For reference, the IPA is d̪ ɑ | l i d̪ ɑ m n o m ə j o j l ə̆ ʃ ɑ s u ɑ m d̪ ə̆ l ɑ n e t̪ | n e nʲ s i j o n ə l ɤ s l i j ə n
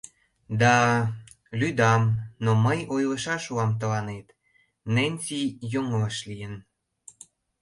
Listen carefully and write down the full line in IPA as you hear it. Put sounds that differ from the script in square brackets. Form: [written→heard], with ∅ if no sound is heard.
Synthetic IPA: d̪ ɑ | l [i→y] d̪ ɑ m n o m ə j o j l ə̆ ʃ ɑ [s→ʃ] u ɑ m [d̪→t̪] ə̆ l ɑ n e t̪ | n e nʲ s i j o [n→ŋ] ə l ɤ [s→ʃ] l i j ə n